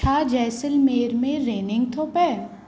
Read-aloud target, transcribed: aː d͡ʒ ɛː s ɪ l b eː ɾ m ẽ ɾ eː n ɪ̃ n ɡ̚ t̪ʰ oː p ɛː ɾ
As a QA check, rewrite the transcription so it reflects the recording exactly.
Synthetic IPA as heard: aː d͡ʒ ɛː s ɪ l m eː ɾ m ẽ ɾ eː n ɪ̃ ŋ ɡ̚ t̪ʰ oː p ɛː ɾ

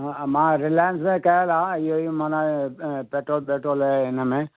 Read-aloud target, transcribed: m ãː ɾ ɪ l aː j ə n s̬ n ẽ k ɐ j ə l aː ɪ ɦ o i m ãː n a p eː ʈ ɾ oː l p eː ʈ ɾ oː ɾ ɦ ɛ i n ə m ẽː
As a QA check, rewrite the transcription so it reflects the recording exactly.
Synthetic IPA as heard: m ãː ɾ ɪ l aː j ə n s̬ m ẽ k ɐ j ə l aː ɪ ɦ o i m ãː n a p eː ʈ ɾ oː l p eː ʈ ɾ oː l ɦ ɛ ɪ n ə m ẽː

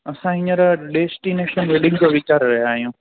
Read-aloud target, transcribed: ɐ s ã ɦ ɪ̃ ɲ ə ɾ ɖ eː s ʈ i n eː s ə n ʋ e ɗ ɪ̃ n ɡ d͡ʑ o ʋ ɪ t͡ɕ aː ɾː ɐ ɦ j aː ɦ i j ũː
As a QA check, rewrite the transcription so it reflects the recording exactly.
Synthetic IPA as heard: ɐ s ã ɦ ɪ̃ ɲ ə ɾ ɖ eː s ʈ i n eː ʃ ə n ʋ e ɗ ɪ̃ ŋ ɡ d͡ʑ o ʋ ɪ t͡ɕ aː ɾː ɐ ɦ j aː ɦ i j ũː

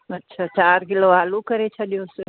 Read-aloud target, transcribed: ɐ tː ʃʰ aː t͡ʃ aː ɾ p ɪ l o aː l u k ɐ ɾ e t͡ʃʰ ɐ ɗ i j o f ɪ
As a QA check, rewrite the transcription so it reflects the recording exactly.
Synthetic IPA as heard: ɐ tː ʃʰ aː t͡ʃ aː ɾ k ɪ l o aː l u k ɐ ɾ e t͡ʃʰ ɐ ɗ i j o s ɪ

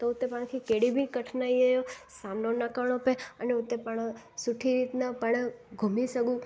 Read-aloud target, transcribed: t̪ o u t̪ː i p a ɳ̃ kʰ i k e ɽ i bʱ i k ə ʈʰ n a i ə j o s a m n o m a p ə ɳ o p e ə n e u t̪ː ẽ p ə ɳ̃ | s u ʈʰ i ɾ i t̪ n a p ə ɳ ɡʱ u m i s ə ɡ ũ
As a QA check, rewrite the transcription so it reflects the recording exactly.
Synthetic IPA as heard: t̪ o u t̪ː e p a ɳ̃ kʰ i k e ɽ i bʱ i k ə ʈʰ n a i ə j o s a m n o n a k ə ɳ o p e ə n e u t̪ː e p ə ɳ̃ | s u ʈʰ i ɾ i t̪ n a p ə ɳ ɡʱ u m i s ə ɡ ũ

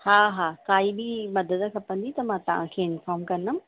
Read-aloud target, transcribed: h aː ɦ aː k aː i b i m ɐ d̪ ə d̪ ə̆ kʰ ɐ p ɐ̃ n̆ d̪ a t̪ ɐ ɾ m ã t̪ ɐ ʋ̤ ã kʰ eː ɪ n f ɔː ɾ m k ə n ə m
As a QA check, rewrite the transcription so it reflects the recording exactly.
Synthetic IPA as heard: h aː ɦ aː k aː i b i m ɐ d̪ ə d̪ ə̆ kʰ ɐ p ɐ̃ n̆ d̪ i t̪ ɐ m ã t̪ ɐ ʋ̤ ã kʰ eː ɪ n f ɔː ɾ m k ɐ n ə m

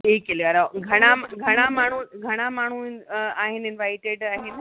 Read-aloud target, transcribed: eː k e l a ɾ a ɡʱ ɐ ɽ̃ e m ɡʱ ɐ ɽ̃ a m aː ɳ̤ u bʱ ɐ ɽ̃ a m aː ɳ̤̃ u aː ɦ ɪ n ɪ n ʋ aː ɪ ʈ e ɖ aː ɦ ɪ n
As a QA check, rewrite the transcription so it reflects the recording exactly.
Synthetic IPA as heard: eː k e l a ɾ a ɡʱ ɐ ɽ̃ a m ɡʱ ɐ ɽ̃ a m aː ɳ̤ u ɡʱ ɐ ɽ̃ a m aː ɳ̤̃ u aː ɦ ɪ n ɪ n ʋ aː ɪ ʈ e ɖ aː ɦ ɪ n

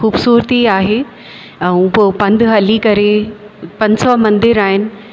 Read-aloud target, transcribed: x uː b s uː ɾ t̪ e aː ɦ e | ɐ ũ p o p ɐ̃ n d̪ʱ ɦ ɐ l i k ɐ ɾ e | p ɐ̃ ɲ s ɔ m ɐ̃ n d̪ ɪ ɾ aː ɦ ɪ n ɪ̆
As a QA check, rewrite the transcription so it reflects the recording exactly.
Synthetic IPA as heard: x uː b s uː ɾ t̪ i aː ɦ e | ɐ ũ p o p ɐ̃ n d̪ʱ ɦ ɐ l i k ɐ ɾ e | p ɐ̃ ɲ s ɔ m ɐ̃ n d̪ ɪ ɾ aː ɦ ɪ n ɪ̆

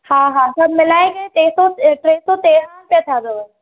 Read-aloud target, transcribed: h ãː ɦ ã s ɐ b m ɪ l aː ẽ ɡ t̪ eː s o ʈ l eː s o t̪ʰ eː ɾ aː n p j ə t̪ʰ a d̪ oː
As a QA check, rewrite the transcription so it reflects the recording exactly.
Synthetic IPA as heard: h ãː ɦ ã s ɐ b m ɪ l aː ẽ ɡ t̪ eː s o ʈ ɾ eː s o t̪ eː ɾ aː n p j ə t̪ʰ a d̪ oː

